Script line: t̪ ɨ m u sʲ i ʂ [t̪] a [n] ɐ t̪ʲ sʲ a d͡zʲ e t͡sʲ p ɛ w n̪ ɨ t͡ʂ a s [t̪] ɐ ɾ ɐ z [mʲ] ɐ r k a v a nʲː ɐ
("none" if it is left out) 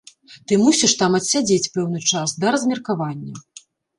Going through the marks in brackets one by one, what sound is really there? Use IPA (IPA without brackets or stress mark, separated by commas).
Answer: t̪, m, d̪, mʲ